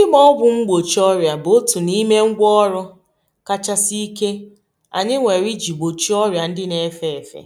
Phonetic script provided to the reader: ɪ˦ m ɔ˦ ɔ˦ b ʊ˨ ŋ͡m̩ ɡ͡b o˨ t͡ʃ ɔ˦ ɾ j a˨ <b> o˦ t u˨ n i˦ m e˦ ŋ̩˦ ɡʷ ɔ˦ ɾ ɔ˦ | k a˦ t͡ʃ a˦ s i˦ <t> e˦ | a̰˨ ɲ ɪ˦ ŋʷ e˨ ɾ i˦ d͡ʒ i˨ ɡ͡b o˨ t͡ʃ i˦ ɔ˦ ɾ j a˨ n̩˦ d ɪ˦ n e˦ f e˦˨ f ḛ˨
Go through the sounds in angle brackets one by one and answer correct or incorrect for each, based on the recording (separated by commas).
correct, incorrect